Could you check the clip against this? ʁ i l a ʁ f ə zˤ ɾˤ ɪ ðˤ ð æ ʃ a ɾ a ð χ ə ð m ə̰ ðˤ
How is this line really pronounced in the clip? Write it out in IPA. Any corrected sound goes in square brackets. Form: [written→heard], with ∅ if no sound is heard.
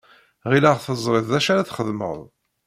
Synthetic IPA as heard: ʁ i l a ʁ [f→θ] ə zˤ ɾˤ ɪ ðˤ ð æ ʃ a ɾ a [ð→θ] χ ə ð m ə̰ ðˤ